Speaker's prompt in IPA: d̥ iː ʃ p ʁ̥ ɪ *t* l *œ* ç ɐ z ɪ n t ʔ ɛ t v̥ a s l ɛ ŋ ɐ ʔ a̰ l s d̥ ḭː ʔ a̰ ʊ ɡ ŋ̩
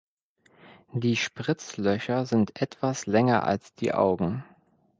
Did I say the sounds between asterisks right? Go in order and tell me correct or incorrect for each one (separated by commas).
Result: incorrect, correct